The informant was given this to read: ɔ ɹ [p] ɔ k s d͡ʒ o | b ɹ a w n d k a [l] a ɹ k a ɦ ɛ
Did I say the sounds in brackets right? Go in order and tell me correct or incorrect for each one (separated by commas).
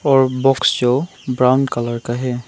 incorrect, correct